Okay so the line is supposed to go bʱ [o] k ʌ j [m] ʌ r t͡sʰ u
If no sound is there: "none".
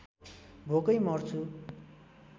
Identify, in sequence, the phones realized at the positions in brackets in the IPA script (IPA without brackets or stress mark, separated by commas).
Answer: o, m